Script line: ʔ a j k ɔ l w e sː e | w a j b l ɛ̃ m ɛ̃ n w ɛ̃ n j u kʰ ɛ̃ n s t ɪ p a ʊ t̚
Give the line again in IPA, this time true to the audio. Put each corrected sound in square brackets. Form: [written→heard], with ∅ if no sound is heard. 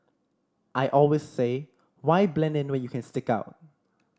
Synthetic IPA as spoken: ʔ a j [k→ʔ] ɔ l w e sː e | w a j b l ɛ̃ [m→n] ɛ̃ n w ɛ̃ n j u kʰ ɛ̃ n s t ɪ [p→k] a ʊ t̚